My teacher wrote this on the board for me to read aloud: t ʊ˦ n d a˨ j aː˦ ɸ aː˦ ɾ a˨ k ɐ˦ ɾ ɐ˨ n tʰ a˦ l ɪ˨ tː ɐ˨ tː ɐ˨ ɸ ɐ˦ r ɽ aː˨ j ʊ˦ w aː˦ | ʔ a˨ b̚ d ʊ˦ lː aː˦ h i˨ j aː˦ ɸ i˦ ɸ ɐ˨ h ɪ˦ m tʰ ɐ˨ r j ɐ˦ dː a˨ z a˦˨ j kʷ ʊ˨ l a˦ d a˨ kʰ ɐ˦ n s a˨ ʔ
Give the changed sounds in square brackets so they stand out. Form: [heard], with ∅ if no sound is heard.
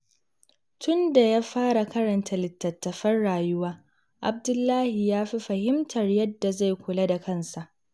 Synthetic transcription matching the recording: t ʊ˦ n d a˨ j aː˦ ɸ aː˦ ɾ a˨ k ɐ˦ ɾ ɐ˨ n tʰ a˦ l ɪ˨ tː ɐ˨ tː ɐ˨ ɸ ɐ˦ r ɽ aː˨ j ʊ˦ w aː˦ | ʔ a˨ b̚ d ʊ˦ lː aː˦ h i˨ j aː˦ ɸ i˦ ɸ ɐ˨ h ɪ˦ m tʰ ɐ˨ r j ɐ˦ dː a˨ z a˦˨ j kʷ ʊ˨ l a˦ d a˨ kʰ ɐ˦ n s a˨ ʔ